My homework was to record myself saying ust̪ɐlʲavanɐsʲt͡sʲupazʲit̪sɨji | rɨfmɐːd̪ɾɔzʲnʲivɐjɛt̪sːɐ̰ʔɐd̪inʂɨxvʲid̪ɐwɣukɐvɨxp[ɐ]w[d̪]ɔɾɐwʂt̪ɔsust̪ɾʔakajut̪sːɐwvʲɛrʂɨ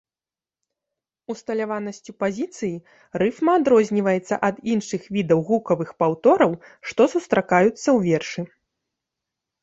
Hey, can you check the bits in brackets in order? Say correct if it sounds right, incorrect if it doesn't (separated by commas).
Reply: incorrect, incorrect